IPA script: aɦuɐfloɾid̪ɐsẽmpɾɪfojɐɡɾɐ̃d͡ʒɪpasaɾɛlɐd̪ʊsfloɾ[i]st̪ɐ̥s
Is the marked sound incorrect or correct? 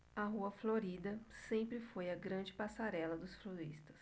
correct